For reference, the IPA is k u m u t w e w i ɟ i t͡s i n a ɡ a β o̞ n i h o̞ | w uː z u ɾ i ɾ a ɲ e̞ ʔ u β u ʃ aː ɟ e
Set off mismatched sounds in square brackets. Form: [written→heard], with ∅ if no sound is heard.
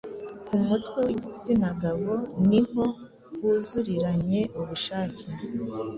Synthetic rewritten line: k u m u t w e w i ɟ i t͡s i n a ɡ a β o̞ n i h o̞ | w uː z u ɾ i ɾ a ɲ e̞ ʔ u β u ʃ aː [ɟ→c] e